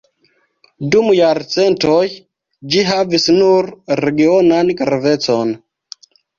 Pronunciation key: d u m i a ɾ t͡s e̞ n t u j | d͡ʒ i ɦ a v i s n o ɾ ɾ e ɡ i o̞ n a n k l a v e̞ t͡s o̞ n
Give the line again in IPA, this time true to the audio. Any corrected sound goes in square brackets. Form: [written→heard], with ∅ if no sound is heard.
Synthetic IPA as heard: d u m [i→j] a ɾ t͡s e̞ n t [u→o] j | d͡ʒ i ɦ a v i s n [o→u] ɾ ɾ e ɡ i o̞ n a n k [l→ɾ] a v e̞ t͡s o̞ n